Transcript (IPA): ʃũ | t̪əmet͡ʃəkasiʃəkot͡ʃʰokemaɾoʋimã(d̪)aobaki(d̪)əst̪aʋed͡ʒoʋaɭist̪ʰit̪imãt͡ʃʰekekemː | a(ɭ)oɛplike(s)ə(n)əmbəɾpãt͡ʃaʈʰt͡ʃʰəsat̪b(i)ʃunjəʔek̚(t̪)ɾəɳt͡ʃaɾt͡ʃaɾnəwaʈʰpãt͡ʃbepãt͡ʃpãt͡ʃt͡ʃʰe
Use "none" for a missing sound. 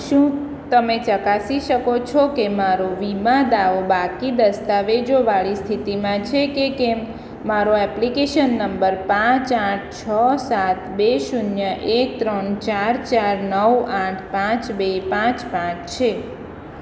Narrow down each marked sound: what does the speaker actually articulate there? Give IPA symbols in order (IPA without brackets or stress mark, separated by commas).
d̪, d̪, ɾ, ʃ, nː, e, t̪